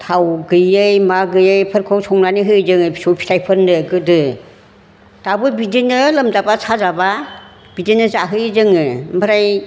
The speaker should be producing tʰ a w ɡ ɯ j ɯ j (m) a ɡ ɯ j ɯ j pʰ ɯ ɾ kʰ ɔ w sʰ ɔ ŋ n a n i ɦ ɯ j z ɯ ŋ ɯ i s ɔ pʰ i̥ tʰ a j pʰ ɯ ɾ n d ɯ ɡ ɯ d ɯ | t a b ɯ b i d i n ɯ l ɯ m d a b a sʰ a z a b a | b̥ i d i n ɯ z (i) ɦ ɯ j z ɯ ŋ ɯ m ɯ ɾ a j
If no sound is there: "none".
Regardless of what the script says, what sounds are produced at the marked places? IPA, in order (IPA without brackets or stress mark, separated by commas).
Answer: m, a